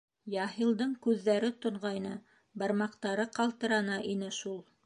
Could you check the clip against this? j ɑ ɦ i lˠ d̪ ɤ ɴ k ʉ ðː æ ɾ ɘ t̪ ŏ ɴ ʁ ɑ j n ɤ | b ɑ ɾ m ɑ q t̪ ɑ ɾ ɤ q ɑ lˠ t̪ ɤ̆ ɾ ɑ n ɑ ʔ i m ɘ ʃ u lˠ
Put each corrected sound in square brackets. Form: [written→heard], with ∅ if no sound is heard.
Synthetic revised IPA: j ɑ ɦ i lˠ d̪ ɤ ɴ k ʉ ðː æ ɾ ɘ t̪ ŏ ɴ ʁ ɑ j n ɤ | b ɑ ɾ m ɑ q t̪ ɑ ɾ ɤ q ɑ lˠ t̪ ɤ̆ ɾ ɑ n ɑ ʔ i [m→n] ɘ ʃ u lˠ